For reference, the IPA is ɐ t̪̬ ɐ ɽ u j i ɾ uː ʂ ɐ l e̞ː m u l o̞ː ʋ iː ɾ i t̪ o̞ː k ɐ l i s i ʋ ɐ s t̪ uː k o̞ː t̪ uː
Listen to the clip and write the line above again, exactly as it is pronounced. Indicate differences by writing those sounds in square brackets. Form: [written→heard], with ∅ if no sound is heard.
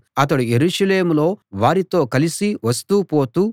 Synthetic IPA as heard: ɐ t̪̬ ɐ ɽ u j [i→e] ɾ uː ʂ ɐ l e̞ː m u l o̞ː ʋ [iː→aː] ɾ i t̪ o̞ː k ɐ l i s i ʋ ɐ s t̪ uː [k→p] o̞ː t̪ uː